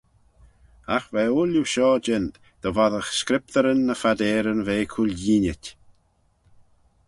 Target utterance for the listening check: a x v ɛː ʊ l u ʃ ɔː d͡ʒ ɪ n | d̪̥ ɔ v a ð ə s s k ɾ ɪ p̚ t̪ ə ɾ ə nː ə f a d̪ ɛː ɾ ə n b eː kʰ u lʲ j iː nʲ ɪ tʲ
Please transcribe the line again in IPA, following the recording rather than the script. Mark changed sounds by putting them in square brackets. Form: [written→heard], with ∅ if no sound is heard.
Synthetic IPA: a x v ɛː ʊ l u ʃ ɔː d͡ʒ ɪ n | d̪̥ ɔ v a ð ə [s→x] s k ɾ ɪ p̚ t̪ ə ɾ ə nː ə f a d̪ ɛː ɾ ə n [b→v] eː kʰ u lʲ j iː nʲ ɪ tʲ